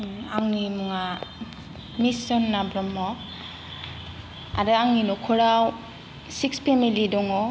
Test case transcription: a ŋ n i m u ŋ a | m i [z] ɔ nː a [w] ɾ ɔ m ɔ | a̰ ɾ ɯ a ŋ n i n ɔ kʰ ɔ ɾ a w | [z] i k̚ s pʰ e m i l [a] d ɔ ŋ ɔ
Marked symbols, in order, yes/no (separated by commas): no, no, no, no